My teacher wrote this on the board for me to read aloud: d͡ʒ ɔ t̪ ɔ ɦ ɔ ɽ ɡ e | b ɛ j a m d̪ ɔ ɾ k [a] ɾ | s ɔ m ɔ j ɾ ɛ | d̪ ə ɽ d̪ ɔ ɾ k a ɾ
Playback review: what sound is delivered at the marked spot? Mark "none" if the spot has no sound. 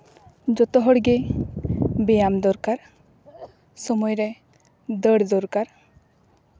a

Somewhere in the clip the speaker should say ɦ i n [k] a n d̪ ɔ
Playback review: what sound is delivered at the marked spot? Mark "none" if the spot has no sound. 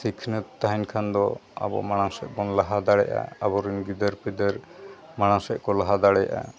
kʰ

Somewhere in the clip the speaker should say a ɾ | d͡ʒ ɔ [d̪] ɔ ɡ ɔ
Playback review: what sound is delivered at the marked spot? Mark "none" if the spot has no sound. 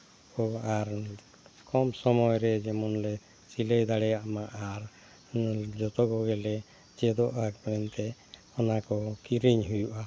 t̪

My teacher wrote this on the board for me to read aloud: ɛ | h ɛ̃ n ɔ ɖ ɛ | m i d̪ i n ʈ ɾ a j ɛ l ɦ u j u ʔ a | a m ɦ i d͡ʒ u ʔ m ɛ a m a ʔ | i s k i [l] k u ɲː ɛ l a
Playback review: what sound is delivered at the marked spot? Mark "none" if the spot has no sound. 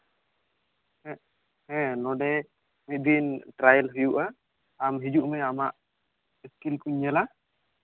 l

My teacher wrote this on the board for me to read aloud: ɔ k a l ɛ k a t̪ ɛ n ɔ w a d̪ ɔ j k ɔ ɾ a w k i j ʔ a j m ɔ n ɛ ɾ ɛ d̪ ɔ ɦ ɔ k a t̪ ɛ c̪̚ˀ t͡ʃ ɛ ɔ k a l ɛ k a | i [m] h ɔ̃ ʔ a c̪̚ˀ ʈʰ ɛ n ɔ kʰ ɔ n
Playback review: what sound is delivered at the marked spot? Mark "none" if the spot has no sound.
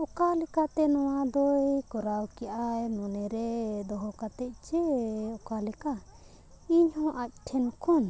ɲ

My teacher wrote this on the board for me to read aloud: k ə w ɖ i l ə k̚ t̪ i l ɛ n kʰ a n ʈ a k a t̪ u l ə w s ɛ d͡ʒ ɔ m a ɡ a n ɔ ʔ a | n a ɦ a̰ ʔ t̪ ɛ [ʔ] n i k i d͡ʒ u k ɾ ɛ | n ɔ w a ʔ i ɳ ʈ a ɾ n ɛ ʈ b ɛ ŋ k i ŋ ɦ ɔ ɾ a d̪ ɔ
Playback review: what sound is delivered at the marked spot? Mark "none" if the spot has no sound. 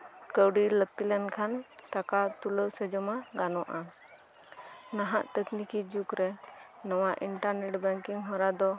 k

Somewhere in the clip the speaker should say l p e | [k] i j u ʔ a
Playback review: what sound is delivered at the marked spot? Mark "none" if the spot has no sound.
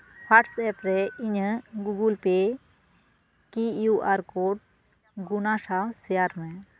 k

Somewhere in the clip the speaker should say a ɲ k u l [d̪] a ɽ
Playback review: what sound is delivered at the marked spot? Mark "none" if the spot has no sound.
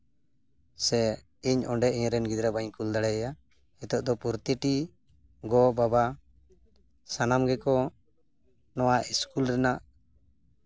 d̪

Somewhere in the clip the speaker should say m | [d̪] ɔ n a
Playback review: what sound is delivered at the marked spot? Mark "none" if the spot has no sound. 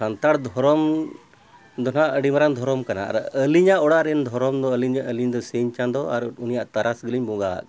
d̪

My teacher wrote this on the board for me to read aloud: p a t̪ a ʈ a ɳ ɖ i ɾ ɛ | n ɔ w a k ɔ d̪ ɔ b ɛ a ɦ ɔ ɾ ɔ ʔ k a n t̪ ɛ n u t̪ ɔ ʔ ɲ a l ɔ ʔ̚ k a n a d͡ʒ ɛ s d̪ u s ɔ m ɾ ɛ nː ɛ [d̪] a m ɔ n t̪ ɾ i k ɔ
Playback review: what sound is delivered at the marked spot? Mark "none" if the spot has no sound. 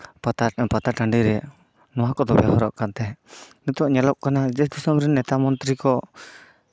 t̪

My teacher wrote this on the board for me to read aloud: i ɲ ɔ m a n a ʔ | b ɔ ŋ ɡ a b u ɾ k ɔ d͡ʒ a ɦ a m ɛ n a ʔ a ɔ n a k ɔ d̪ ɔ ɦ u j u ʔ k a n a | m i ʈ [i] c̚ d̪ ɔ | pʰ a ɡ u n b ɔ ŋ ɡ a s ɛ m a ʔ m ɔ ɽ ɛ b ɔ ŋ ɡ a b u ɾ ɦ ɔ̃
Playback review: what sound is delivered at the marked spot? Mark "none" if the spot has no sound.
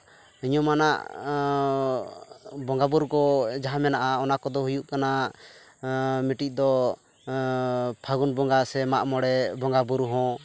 i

